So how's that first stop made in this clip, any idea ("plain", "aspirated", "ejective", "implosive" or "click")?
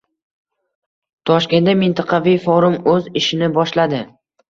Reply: aspirated